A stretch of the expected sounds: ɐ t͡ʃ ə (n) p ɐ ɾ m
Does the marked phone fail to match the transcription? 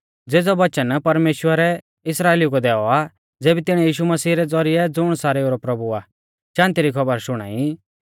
no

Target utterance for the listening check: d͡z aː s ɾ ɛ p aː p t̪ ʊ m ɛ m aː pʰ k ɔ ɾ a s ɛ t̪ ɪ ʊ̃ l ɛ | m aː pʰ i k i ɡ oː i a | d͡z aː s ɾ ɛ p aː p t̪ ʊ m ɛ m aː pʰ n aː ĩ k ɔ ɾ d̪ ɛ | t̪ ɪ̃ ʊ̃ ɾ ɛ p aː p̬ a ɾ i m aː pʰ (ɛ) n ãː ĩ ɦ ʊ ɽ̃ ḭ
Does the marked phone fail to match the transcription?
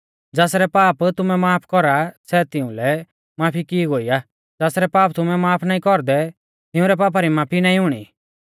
yes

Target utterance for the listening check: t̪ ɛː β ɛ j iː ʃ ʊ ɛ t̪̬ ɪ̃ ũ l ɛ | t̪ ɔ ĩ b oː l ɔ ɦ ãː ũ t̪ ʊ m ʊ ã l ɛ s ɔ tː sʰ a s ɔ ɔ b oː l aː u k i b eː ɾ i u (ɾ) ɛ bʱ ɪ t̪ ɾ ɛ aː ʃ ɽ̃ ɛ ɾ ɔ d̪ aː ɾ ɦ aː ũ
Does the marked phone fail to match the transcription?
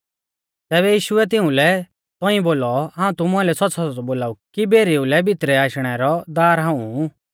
yes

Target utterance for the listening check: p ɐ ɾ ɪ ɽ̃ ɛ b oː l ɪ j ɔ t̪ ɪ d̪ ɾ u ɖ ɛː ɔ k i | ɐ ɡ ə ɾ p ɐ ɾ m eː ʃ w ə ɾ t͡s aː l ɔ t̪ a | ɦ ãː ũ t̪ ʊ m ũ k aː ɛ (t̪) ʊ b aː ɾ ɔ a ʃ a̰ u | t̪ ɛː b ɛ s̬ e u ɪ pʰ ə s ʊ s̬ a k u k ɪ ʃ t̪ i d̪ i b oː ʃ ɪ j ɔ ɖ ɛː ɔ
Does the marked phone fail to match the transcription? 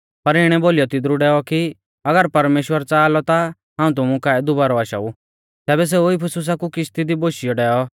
yes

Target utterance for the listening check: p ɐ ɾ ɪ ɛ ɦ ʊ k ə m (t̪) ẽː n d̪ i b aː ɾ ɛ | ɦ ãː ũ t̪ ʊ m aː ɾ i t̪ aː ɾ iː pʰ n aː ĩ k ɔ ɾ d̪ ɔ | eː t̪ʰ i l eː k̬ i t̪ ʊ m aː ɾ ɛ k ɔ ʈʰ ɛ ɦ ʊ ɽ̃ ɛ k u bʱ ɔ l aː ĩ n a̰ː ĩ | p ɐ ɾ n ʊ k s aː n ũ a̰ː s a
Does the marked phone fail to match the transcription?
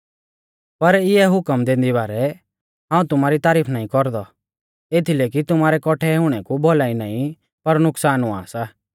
yes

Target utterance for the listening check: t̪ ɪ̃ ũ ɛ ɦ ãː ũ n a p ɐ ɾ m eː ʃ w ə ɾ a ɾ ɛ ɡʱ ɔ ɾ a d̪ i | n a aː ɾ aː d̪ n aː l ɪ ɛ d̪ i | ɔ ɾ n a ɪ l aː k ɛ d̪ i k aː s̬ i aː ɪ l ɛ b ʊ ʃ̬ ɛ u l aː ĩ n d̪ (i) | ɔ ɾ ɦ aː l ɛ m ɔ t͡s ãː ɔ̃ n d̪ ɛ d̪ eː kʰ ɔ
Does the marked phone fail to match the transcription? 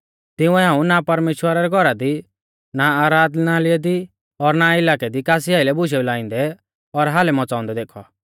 yes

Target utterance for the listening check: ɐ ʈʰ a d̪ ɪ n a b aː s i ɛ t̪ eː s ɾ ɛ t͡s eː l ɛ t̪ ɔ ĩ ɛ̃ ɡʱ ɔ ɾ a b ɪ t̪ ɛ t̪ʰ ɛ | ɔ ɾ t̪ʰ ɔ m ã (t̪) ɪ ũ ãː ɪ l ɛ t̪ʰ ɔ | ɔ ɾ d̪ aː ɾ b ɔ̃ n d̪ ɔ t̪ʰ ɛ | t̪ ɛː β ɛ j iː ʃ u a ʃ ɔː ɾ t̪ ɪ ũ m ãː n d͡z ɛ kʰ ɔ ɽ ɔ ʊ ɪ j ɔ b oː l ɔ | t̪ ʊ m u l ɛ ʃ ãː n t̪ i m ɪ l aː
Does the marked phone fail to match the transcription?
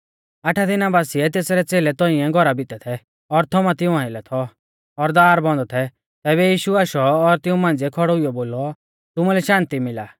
no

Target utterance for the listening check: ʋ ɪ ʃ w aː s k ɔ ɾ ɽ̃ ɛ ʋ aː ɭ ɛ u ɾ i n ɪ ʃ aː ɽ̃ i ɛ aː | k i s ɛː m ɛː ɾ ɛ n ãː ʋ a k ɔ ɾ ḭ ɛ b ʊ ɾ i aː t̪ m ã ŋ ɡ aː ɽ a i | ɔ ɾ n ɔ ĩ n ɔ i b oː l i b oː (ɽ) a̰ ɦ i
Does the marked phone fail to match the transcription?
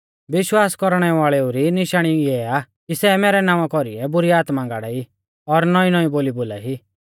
yes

